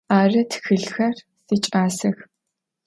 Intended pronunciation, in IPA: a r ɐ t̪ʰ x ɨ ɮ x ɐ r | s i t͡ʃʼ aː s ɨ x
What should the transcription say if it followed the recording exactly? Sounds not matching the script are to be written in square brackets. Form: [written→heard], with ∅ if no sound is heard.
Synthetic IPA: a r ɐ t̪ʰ x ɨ ɮ x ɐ r | s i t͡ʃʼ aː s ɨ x